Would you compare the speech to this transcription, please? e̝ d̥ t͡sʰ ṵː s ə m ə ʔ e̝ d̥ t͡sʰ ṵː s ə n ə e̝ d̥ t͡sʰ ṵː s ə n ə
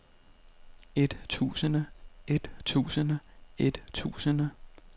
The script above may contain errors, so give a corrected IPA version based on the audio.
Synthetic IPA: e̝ d̥ t͡sʰ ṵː s ə n ə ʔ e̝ d̥ t͡sʰ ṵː s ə n ə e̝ d̥ t͡sʰ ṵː s ə n ə

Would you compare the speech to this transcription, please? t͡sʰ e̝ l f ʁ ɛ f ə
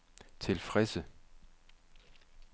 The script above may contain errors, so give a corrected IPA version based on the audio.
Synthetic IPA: t͡sʰ e̝ l f ʁ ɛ s ə

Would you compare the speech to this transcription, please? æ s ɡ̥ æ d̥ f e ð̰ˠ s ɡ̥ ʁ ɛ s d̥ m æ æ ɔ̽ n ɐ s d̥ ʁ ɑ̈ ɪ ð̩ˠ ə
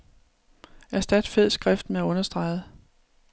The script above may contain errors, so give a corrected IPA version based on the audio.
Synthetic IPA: æ s d̥ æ d̥ f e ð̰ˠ s ɡ̥ ʁ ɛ f d̥ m e æ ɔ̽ n ɐ s d̥ ʁ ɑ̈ ɪ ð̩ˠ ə

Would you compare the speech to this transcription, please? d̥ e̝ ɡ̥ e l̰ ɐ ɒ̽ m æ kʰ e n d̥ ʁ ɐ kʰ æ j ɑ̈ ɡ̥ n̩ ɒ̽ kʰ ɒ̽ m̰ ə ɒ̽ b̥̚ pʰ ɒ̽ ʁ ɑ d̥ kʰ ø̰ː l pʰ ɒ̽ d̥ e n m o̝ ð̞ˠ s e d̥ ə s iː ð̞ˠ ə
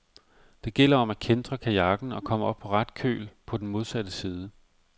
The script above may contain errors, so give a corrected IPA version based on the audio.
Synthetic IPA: d̥ e̝ ɡ̥ e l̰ ɐ ɒ̽ m æ kʰ e n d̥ ʁ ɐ kʰ æ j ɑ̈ ɡ̥ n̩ ɒ̽ kʰ ɒ̽ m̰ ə ɒ̽ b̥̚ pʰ ɒ̽ ʁ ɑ d̥ kʰ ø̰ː l pʰ ɒ̽ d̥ e n m o̝ ð̞ˠ s æ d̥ ə s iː ð̞ˠ ə

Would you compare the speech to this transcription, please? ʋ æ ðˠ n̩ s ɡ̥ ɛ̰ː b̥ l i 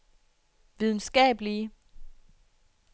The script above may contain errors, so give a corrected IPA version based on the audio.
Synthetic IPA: ʋ i ðˠ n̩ s ɡ̥ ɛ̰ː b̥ l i

